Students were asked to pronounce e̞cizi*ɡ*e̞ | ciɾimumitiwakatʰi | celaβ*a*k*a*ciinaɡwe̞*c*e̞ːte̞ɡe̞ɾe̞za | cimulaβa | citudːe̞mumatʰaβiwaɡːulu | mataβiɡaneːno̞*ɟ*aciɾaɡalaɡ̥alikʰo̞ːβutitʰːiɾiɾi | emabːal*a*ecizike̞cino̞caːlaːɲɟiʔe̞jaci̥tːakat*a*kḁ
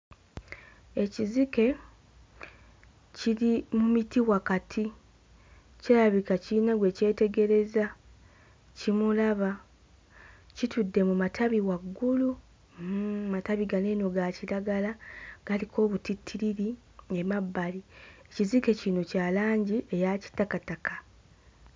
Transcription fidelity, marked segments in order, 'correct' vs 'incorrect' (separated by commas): incorrect, incorrect, correct, correct, incorrect, incorrect, correct